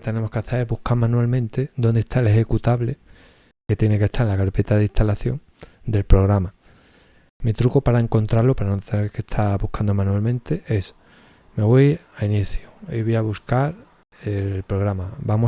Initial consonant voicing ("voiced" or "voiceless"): voiceless